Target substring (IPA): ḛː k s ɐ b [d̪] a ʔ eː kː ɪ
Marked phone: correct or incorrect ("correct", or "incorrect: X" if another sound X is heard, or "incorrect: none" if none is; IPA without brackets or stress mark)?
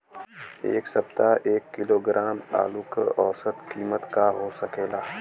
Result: incorrect: t̪